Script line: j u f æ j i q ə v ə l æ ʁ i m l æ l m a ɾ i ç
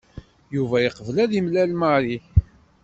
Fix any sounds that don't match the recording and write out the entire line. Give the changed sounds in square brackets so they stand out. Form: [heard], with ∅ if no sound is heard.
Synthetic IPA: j u [v] æ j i q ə v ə l æ [ð] i m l æ l m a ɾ i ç